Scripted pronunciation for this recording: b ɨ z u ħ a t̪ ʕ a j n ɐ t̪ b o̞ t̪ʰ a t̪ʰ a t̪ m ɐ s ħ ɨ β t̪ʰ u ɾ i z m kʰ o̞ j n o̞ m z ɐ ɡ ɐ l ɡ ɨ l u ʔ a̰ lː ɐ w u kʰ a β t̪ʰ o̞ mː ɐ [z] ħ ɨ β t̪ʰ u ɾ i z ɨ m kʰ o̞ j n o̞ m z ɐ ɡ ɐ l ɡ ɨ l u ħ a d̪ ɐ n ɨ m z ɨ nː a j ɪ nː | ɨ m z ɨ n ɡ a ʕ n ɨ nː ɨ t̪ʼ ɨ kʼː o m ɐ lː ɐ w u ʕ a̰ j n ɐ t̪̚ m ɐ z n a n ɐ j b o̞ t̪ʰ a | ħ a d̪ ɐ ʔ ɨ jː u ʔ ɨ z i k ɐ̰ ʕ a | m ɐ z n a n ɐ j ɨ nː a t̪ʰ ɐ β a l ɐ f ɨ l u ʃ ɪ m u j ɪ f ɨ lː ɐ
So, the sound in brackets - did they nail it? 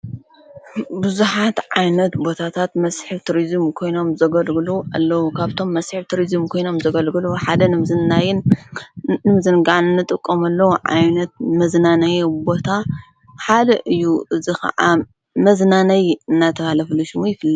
no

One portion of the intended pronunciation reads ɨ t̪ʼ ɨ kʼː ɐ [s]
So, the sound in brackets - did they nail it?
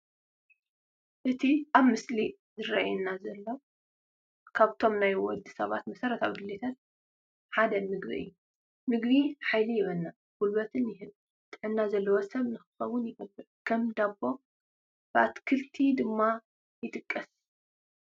yes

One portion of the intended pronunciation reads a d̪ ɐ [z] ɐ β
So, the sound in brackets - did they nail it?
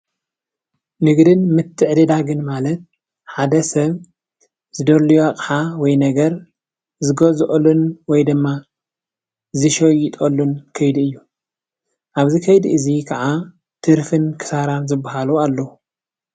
no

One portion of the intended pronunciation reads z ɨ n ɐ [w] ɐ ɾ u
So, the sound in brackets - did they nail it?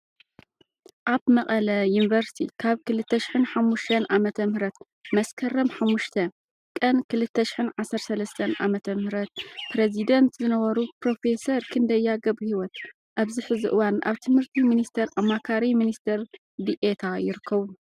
no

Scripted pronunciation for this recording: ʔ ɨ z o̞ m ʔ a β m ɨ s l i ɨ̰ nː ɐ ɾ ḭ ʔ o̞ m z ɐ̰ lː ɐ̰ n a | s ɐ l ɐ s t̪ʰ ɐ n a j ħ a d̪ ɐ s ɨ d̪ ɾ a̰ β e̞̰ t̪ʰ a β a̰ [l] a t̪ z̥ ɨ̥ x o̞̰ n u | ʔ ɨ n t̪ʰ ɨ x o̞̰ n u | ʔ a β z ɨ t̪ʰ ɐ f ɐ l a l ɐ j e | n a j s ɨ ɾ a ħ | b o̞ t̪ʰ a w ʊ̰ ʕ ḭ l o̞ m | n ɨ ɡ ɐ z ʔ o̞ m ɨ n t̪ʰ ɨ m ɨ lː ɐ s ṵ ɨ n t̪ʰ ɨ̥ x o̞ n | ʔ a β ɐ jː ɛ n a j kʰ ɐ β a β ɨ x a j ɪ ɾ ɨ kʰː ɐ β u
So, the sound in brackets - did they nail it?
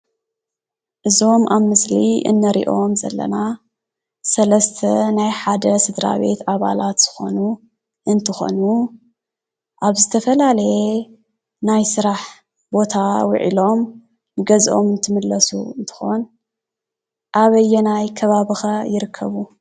yes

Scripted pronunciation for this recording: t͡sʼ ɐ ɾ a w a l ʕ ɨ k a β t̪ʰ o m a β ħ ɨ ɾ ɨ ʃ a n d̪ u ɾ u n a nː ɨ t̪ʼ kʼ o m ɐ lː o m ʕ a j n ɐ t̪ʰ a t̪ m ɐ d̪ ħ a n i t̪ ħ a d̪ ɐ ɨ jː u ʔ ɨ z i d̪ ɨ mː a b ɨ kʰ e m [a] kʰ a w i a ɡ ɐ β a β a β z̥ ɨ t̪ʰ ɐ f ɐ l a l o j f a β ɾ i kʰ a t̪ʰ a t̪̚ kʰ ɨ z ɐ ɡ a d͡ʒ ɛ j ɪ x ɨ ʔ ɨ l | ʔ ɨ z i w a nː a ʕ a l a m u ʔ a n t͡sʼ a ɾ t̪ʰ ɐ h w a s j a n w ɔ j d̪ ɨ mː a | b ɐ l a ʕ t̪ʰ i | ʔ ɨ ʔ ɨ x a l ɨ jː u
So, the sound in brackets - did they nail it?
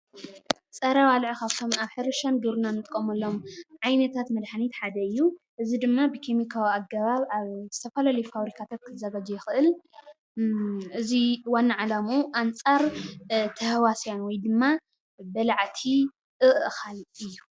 no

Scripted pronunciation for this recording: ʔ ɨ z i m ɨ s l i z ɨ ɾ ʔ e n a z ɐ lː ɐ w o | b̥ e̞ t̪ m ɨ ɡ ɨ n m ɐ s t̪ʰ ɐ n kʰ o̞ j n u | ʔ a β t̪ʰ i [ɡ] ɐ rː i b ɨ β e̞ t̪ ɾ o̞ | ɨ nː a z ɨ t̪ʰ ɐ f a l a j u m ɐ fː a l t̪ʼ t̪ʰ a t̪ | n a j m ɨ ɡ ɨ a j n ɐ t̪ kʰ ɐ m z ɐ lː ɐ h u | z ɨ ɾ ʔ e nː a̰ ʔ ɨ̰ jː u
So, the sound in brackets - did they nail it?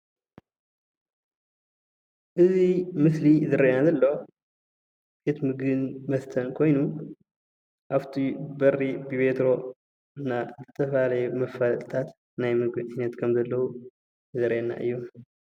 no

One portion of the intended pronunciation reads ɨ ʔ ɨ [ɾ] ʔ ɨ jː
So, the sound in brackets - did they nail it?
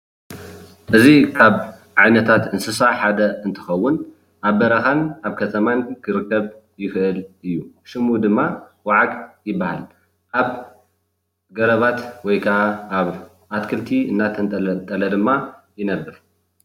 no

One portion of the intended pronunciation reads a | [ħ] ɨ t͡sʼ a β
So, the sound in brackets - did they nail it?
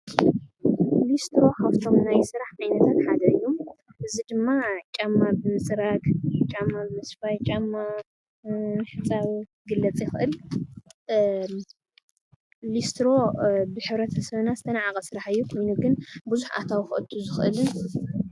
yes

